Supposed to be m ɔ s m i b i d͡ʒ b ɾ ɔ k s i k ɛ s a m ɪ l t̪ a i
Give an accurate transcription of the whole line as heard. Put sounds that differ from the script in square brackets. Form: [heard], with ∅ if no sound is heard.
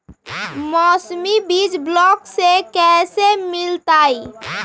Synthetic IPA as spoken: m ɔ s m i b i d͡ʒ b [l] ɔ k s [e] k ɛ s [e] m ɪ l t̪ a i